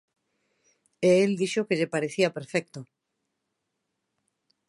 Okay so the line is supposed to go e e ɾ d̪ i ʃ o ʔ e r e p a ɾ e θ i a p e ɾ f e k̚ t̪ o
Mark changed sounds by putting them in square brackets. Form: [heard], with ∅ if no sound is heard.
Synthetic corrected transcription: e e [l] d̪ i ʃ o [k] e [ʎ] e p a ɾ e θ i a p e ɾ f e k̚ t̪ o